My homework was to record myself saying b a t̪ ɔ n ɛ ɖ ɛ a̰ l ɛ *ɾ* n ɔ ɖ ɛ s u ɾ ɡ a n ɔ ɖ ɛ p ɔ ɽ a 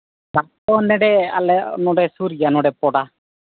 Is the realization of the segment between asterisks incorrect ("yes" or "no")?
yes